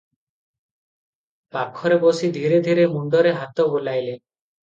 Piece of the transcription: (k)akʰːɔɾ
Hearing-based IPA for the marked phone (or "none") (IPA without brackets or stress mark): p